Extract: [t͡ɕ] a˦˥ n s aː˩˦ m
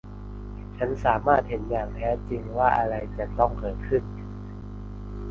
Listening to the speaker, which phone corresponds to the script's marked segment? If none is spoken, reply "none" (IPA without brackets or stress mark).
t͡ɕʰ